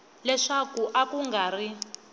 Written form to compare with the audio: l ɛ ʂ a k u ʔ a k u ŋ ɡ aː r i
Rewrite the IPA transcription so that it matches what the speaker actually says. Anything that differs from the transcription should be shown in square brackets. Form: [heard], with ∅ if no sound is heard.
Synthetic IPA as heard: l ɛ ʂ a k u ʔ a k u ŋ ɡ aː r i